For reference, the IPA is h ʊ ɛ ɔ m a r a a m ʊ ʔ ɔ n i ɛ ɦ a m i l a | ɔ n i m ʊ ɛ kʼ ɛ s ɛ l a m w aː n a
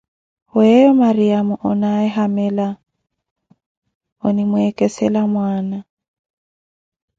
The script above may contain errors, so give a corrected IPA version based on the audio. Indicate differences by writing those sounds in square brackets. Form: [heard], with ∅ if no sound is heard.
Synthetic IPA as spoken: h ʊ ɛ ɔ m a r [i] a m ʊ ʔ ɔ n [a] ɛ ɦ a m [ɛ] l a | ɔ n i m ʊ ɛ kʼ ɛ s ɛ l a m w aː n a